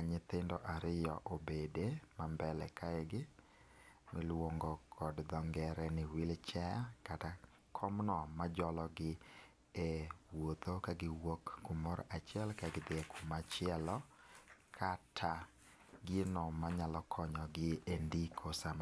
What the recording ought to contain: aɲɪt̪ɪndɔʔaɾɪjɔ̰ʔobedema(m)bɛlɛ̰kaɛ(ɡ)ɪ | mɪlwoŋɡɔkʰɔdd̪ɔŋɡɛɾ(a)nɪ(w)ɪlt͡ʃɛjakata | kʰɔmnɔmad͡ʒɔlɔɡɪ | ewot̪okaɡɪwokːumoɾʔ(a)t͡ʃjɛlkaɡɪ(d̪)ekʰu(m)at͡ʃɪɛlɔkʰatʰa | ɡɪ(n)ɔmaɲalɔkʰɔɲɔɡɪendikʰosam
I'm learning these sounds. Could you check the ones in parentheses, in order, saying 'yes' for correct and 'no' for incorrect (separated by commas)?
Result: yes, yes, no, yes, yes, yes, yes, yes